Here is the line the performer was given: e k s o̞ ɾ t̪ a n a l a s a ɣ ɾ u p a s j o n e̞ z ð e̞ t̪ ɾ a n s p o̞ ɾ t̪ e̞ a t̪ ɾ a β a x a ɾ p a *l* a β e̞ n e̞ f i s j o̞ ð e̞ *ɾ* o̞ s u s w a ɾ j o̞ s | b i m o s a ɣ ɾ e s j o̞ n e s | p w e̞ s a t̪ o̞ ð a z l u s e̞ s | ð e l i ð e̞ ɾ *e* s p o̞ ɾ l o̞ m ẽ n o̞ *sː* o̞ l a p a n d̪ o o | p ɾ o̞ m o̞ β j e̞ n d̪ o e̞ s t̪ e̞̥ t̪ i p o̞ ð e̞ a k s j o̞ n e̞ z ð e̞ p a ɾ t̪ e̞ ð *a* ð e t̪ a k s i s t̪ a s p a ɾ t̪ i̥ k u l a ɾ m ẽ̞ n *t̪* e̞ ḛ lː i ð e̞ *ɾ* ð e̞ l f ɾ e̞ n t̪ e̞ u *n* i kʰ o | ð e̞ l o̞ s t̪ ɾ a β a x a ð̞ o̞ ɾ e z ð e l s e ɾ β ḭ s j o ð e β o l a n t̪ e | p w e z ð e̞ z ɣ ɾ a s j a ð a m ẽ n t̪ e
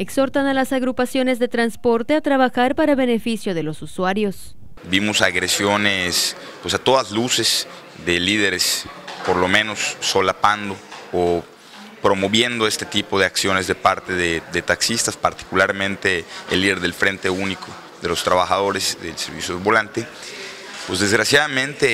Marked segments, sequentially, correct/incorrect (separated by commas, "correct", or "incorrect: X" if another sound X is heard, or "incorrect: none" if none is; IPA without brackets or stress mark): incorrect: ɾ, incorrect: l, correct, correct, incorrect: e, correct, correct, correct